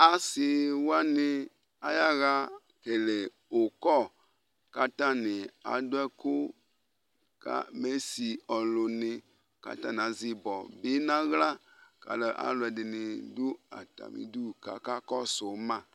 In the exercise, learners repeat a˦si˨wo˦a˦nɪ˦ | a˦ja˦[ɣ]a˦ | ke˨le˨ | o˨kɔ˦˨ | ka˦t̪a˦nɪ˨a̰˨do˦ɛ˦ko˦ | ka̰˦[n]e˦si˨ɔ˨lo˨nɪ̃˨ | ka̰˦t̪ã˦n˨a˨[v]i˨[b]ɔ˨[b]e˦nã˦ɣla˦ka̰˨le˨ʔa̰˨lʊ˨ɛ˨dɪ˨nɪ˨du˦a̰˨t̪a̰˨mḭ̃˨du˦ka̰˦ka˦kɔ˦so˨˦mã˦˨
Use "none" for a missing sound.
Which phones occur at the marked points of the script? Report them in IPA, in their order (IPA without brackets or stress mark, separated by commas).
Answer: ɣ, m, z, b, b